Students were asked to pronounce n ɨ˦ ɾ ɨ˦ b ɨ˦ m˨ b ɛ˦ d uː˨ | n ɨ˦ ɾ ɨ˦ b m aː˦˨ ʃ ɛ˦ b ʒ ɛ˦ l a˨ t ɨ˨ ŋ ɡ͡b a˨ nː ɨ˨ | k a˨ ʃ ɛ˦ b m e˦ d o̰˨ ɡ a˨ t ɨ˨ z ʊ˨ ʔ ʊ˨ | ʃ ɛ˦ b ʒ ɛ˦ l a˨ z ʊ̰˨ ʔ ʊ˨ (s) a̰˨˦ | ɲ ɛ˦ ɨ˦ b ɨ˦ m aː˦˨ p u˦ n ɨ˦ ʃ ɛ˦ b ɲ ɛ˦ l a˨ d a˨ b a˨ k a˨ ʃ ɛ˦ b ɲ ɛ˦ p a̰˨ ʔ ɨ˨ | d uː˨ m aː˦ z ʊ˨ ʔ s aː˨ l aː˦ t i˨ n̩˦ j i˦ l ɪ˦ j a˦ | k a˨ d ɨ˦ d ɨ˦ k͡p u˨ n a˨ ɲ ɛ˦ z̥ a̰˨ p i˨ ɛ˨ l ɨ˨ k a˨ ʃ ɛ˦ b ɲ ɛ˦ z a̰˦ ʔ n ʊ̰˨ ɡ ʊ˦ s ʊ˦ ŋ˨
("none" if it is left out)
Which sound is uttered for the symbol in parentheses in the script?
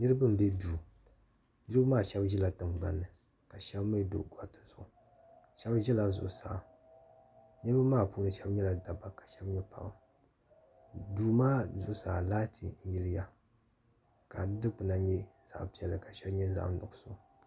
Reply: s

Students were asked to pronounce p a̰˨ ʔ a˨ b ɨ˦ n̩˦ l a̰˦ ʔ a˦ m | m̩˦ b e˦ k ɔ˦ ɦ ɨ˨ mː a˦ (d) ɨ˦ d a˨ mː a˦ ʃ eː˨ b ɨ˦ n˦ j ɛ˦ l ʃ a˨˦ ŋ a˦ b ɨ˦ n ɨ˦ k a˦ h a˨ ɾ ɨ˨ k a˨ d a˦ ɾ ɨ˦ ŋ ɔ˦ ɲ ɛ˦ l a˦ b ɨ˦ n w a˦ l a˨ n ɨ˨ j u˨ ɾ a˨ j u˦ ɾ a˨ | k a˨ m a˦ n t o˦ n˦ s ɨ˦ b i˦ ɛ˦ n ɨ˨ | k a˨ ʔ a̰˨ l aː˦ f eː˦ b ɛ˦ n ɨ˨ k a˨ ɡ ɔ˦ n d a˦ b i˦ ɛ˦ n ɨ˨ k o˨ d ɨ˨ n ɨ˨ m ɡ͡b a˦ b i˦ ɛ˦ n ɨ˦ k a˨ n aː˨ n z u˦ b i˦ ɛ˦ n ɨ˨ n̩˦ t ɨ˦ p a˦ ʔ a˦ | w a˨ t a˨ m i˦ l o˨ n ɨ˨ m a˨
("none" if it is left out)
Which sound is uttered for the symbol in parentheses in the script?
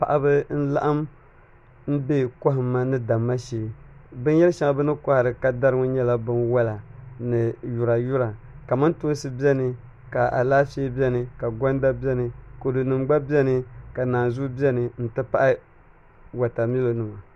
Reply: n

